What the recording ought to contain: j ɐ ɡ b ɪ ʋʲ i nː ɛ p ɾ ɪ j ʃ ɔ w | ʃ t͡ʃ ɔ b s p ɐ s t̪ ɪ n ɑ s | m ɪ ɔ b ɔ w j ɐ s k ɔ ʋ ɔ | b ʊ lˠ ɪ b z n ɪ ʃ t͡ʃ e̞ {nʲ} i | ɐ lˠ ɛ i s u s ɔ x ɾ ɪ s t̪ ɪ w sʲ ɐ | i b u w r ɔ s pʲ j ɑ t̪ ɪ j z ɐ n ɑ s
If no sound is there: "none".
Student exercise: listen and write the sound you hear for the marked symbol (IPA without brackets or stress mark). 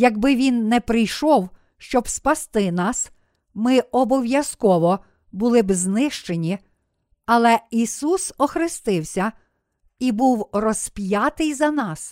nʲ